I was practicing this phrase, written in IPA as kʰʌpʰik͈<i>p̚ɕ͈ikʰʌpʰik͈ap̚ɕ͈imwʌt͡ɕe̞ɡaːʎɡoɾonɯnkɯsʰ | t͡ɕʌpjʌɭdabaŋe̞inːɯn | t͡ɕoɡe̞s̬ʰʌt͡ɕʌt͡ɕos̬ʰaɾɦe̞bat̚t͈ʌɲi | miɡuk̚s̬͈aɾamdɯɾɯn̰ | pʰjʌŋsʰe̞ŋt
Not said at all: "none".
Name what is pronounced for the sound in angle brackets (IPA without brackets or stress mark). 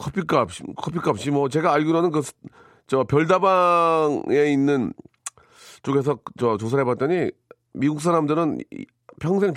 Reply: a